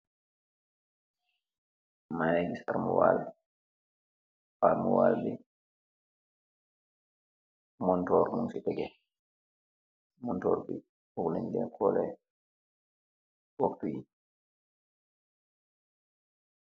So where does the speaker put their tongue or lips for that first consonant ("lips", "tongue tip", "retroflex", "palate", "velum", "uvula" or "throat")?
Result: lips